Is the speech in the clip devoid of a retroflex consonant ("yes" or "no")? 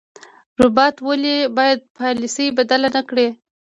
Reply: no